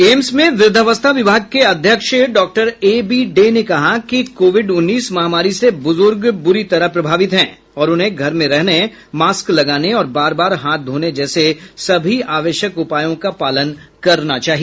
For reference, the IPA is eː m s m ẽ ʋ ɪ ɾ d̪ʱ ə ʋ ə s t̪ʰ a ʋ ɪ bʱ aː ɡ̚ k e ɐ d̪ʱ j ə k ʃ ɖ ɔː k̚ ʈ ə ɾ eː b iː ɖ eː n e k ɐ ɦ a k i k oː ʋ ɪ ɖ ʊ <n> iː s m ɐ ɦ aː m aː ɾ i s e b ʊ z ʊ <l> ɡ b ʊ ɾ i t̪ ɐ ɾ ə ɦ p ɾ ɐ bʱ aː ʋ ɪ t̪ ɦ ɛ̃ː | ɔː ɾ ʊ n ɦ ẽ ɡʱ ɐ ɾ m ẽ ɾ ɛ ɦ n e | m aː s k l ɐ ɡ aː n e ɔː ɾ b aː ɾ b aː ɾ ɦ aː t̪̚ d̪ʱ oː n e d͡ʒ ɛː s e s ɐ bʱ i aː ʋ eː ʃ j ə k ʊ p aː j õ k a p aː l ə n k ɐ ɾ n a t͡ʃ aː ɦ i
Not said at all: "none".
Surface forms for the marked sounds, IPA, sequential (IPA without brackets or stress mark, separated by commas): nː, ɾ